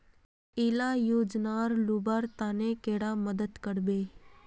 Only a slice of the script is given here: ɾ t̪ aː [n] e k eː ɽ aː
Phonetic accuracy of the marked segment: correct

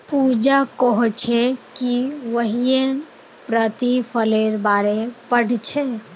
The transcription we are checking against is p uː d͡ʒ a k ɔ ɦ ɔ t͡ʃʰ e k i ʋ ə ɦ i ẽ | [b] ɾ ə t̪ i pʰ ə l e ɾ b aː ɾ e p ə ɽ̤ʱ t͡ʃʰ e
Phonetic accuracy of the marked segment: incorrect: p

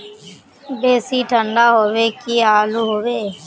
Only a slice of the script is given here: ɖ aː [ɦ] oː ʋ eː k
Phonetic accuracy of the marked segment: correct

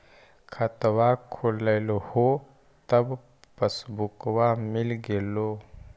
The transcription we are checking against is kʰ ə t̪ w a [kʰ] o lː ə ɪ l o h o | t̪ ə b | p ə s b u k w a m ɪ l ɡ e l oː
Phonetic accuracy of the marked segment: correct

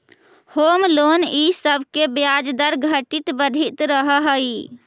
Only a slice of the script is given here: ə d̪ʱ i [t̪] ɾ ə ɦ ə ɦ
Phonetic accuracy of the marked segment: correct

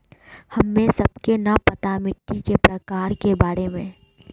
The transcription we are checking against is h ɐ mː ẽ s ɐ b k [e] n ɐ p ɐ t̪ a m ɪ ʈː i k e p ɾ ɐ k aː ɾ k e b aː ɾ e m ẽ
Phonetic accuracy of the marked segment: correct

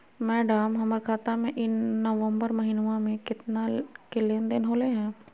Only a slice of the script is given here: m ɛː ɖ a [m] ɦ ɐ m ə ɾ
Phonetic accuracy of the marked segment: correct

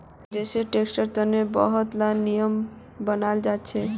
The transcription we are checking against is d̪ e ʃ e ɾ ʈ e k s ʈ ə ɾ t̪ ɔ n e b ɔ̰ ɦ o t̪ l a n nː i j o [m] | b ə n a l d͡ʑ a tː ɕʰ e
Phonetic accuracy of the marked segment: correct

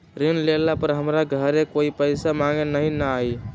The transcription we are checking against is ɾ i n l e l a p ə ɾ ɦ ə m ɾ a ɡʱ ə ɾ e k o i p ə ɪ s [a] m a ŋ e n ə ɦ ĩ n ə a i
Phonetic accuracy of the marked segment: correct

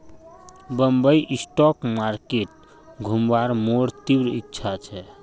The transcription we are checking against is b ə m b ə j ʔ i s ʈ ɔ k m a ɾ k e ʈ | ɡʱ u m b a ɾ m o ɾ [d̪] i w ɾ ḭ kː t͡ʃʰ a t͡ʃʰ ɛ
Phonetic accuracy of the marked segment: incorrect: t̪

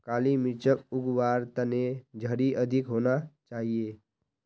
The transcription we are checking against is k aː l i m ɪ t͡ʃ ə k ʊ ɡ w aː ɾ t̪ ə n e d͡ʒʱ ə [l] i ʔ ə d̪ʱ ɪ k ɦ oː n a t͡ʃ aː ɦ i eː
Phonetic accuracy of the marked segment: incorrect: ɾ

